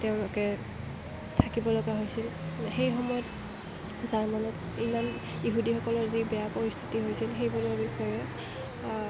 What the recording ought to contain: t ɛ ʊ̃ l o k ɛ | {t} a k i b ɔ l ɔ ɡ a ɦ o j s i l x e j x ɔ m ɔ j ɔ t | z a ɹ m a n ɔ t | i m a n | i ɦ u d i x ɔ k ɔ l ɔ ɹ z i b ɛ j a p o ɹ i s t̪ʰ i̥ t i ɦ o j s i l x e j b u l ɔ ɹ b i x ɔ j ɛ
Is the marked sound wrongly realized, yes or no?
yes